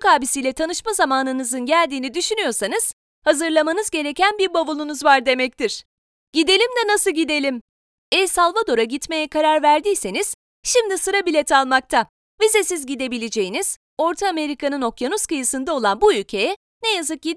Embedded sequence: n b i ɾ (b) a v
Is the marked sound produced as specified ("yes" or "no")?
yes